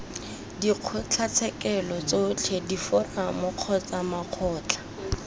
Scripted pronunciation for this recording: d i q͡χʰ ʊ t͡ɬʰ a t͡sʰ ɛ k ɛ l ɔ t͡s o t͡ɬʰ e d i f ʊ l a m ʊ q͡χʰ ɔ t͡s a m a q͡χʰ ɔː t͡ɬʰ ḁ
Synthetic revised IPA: d i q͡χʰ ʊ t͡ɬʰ a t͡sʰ ɛ k ɛ l ɔ t͡s o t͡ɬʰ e d i f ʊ r a m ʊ q͡χʰ ɔ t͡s a m a q͡χʰ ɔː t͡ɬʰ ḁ